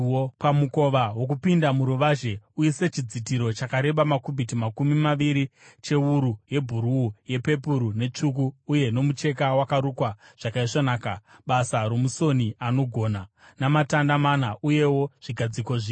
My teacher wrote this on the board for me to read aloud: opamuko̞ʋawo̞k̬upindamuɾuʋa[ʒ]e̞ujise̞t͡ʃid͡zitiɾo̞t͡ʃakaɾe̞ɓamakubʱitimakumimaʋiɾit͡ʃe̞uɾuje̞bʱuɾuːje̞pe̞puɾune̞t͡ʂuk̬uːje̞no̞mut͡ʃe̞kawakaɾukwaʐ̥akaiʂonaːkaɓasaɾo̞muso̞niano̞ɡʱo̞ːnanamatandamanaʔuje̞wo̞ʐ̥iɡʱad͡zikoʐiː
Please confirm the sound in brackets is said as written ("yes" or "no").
yes